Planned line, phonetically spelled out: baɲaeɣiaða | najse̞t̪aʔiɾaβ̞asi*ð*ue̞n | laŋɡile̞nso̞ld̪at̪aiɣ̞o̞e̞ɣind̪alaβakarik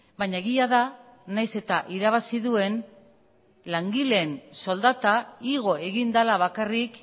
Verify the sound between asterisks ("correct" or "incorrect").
correct